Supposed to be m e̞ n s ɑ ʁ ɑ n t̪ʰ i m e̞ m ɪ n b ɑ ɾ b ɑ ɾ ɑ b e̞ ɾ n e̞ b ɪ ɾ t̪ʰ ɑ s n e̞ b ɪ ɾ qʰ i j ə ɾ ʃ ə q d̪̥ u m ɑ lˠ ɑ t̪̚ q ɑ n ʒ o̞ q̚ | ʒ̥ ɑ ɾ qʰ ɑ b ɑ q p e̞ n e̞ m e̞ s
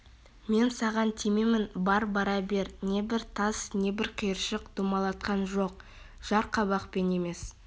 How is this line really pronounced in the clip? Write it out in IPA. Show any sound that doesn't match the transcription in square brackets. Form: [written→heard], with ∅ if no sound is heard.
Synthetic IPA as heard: m e̞ n s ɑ ʁ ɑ n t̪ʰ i m e̞ m ɪ n b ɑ ɾ b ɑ ɾ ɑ b e̞ ɾ n e̞ b ɪ ɾ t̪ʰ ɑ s n e̞ b ɪ ɾ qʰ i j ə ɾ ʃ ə q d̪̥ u m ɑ lˠ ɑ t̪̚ q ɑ n ʒ o̞ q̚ | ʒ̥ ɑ ɾ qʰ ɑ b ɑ q p e̞ n e̞ m e̞ s